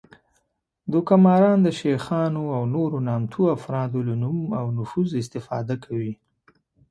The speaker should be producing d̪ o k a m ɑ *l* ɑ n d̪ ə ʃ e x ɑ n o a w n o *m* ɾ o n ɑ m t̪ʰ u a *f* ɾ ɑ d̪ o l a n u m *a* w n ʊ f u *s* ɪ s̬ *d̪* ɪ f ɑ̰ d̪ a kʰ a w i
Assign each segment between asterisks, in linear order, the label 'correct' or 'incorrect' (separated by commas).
incorrect, incorrect, correct, correct, incorrect, incorrect